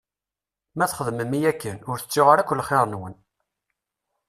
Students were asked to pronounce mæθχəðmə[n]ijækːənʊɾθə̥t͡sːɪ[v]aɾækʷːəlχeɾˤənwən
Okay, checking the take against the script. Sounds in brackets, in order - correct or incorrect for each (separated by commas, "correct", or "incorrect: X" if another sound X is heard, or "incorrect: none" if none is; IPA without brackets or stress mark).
incorrect: m, incorrect: ʁ